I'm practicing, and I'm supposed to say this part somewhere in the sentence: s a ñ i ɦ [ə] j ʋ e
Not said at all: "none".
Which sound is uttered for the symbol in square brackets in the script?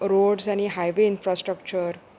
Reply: a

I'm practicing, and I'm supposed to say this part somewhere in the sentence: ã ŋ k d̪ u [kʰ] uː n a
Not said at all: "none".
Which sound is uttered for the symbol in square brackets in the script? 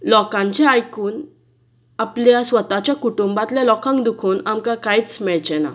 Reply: kʰ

